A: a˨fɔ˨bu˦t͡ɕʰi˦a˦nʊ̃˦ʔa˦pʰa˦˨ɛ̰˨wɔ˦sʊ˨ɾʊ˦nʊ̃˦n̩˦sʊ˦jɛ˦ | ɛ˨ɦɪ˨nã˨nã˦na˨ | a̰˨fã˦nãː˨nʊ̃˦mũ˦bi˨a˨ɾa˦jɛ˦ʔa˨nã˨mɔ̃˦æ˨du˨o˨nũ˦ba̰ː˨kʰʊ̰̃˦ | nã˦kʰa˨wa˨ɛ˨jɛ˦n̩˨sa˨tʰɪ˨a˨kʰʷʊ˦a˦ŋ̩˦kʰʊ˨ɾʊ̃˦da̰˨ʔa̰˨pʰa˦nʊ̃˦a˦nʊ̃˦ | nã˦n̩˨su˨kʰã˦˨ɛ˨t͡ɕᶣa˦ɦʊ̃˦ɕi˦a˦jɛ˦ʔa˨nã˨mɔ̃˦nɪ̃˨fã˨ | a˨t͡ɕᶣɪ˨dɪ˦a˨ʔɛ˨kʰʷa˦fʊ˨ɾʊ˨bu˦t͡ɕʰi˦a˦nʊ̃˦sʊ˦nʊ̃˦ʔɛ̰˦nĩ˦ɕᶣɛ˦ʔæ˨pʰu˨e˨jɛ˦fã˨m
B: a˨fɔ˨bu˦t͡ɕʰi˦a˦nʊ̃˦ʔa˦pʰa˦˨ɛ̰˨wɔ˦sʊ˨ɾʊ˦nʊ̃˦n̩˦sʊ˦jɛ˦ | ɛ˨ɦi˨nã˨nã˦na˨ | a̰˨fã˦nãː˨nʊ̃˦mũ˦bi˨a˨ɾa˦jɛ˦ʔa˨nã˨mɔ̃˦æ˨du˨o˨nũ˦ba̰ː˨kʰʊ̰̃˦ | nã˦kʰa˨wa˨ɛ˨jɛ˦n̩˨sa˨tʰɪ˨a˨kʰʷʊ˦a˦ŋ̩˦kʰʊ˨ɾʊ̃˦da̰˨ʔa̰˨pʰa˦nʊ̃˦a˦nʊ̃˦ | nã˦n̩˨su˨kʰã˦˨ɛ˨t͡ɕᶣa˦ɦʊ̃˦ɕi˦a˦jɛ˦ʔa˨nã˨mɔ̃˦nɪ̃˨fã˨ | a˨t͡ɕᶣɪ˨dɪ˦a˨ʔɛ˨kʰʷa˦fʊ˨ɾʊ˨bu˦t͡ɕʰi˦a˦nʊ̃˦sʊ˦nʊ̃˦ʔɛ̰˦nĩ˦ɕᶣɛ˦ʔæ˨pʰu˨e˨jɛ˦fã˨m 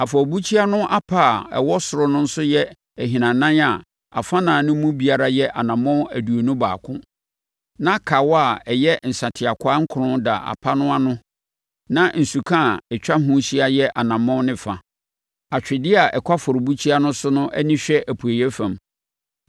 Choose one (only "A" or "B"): B